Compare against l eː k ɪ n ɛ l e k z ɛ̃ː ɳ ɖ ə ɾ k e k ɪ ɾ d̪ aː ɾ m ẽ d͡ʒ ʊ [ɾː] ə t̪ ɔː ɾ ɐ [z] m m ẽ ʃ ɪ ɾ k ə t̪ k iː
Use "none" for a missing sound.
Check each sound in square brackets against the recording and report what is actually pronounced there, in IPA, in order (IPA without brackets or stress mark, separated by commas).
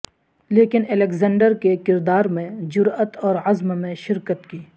ɾ, z